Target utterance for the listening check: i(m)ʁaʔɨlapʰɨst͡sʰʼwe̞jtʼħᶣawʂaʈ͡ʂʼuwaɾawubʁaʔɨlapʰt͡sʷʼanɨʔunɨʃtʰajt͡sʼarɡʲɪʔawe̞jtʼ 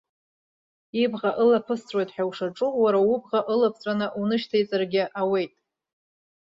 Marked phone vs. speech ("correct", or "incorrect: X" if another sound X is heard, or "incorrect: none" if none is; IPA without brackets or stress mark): incorrect: b